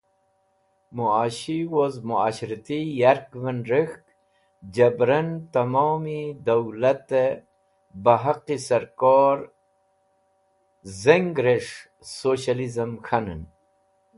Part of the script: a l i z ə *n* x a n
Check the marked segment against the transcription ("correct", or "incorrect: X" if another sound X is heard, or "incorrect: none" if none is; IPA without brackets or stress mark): incorrect: m